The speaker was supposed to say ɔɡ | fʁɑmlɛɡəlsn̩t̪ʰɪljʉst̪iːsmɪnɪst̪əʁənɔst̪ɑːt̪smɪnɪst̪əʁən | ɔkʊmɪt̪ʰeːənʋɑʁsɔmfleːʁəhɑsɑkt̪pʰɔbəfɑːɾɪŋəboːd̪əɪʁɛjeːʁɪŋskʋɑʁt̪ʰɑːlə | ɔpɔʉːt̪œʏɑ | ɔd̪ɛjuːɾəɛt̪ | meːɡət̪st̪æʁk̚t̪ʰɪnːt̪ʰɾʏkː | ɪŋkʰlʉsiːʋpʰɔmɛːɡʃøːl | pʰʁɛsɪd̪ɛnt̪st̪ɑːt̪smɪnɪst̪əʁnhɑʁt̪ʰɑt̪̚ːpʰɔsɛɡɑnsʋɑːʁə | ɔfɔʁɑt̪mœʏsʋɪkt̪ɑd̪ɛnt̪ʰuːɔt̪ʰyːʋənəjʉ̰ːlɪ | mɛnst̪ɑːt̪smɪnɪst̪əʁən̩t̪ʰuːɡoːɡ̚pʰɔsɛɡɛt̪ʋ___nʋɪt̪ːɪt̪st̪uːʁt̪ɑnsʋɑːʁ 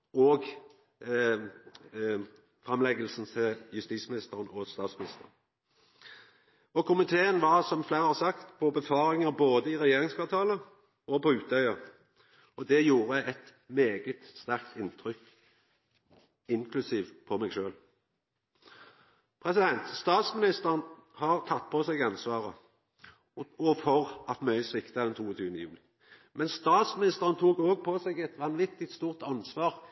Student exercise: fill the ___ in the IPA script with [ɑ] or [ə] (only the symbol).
ɑ